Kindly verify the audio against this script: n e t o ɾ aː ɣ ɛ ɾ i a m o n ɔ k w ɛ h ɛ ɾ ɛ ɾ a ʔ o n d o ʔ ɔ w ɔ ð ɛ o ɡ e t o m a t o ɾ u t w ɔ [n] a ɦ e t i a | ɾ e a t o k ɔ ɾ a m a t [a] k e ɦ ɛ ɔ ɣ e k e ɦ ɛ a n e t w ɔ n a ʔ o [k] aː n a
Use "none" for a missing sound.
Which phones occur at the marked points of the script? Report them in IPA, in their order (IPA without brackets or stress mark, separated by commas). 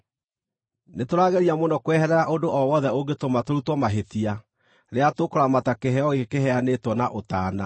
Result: m, a, t